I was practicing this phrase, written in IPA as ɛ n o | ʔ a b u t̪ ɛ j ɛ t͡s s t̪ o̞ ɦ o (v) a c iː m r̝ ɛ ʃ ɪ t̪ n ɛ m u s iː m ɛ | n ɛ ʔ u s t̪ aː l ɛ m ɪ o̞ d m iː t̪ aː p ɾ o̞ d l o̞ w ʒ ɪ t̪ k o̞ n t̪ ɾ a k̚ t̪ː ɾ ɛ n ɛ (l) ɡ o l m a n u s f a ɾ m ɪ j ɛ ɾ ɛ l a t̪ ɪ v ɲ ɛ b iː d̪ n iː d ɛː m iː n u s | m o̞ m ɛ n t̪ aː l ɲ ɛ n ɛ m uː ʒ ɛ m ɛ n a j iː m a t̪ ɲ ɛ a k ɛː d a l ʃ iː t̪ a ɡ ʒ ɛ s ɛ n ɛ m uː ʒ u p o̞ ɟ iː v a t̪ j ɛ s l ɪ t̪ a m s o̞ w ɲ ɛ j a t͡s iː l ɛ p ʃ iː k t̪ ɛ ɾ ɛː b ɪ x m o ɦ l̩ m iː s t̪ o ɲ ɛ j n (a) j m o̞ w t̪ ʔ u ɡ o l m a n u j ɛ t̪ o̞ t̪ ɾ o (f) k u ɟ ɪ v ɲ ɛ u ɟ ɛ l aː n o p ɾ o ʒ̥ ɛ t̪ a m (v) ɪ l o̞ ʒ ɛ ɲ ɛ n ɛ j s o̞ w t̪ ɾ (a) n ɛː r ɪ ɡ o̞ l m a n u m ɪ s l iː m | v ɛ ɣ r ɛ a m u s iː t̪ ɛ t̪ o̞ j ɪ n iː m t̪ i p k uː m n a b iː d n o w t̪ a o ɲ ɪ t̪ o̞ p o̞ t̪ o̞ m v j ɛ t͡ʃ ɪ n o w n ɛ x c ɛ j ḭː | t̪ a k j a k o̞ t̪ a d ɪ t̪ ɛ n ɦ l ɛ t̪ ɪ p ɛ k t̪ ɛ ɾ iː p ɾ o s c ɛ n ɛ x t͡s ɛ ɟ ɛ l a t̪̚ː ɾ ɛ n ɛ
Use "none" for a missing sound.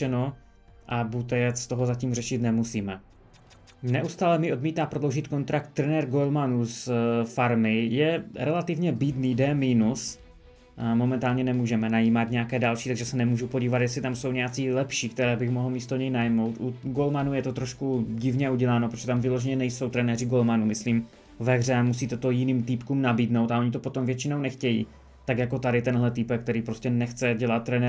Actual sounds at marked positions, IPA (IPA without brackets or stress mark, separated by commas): z, ɾ, a, ʃ, v, ɛ